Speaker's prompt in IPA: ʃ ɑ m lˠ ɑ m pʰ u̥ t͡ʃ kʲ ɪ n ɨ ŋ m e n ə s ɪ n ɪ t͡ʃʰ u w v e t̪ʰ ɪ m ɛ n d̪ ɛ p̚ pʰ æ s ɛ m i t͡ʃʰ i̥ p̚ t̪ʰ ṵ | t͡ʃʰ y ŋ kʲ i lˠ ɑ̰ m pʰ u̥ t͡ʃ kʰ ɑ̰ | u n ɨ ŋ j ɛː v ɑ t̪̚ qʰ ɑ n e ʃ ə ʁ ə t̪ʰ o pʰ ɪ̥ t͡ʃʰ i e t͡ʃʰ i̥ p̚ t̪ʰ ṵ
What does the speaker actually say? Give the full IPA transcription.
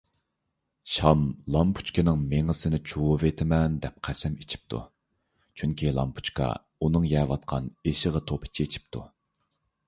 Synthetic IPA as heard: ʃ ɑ m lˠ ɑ m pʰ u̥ t͡ʃ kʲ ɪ n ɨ ŋ m e ŋ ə s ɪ n ɪ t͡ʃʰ u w v e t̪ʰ ɪ m ɛ n d̪ ɛ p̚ qʰ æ s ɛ m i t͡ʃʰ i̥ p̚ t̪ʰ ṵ | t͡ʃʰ y ŋ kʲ i lˠ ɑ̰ m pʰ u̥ t͡ʃ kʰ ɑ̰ | u n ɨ ŋ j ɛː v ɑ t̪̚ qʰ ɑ n e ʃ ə ʁ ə t̪ʰ o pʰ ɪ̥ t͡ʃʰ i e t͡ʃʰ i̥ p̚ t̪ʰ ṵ

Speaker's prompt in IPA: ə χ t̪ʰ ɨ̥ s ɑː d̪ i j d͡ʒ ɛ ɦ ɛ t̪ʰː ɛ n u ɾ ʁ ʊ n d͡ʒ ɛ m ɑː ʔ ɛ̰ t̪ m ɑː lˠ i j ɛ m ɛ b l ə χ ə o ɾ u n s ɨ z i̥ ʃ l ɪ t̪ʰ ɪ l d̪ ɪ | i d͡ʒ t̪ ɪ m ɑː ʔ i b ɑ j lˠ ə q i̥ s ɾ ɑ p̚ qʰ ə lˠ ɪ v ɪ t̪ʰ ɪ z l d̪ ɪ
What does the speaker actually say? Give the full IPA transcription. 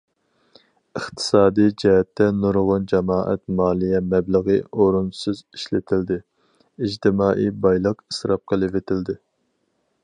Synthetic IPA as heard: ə χ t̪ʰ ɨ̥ s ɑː d̪ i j d͡ʒ ɛ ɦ ɛ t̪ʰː ɛ n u ɾ ʁ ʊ n d͡ʒ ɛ m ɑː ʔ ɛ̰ t̪ m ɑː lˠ i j ɛ m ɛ b l ə ʁ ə o ɾ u n s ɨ z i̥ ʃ l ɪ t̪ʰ ɪ l d̪ ɪ | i d͡ʒ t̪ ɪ m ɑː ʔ i b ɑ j lˠ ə q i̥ s ɾ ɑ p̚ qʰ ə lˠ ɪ v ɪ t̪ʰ ɪ l d̪ ɪ

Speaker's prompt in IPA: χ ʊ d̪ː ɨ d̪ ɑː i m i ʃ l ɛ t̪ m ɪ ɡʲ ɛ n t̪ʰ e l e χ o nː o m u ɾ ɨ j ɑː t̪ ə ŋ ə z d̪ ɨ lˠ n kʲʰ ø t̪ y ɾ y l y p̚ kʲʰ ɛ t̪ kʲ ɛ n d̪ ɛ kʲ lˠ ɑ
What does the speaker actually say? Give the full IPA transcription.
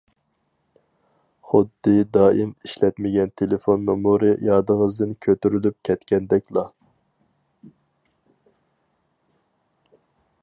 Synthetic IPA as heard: χ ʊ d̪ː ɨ d̪ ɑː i m i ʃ l ɛ t̪ m ɪ ɡʲ ɛ n t̪ʰ e l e f o nː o m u ɾ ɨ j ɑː d̪ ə ŋ ə z d̪ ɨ n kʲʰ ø t̪ y ɾ y l y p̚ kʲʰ ɛ t̪ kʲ ɛ n d̪ ɛ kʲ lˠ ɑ

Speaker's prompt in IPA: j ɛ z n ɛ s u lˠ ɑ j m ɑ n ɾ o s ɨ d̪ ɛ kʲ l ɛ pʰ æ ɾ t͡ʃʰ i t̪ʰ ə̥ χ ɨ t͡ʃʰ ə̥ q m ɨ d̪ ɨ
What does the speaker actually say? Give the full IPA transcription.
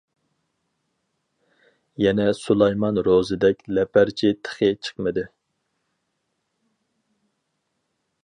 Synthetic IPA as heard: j ɛ n ɛ s u lˠ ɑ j m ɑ n ɾ o z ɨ d̪ ɛ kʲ l ɛ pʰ æ ɾ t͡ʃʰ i t̪ʰ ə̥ χ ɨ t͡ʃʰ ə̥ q m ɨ d̪ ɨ

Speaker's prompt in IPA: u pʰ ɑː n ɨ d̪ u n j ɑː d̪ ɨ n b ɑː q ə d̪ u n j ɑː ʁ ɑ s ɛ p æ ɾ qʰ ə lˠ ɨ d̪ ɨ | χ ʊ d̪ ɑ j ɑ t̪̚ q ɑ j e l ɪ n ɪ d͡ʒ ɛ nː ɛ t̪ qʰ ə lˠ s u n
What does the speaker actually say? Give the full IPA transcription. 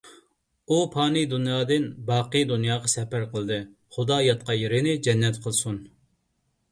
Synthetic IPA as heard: u pʰ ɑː n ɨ d̪ u n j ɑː d̪ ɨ n b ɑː q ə d̪ u n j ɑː ʁ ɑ s ɛ p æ ɾ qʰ ə lˠ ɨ d̪ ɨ | χ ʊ d̪ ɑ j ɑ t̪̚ q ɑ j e ɾ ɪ n ɪ d͡ʒ ɛ nː ɛ t̪ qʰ ə lˠ s u n

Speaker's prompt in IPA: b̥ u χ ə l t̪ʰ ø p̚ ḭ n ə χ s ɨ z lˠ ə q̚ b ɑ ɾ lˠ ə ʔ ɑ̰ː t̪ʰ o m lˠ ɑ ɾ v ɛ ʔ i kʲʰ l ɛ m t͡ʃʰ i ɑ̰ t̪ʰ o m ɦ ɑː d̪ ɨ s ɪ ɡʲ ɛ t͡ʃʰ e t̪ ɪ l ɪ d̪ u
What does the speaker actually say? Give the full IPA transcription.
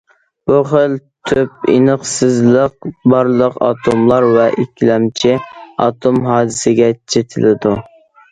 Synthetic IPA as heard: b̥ u χ ə l t̪ʰ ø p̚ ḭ n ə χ s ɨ z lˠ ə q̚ b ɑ ɾ lˠ ə q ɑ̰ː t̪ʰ o m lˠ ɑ ɾ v ɛ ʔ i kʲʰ l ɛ m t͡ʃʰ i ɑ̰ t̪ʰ o m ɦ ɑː d̪ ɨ s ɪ ɡʲ ɛ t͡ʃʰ e t̪ʰ ɪ l ɪ d̪ u

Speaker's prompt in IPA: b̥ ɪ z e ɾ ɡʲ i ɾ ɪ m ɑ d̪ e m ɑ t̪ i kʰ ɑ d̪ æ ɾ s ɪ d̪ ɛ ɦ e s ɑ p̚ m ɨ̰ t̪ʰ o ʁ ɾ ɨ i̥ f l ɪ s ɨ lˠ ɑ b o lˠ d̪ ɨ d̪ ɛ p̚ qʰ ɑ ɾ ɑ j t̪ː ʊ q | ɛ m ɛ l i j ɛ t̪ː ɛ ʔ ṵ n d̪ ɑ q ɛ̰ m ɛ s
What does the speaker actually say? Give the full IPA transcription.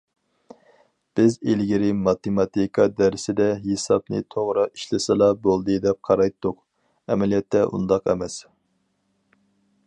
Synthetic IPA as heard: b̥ ɪ z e l ɡʲ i ɾ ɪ m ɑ t̪ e m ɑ t̪ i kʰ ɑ d̪ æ ɾ s ɪ d̪ ɛ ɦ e s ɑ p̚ n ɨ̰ t̪ʰ o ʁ ɾ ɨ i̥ ʃ l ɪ s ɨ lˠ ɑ b o lˠ d̪ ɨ d̪ ɛ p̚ qʰ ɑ ɾ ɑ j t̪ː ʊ q | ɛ m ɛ l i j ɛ t̪ː ɛ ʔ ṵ n d̪ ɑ q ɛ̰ m ɛ s

